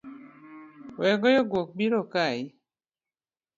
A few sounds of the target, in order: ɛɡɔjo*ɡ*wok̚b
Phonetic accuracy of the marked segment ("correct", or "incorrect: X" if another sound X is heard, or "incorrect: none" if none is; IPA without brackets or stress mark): correct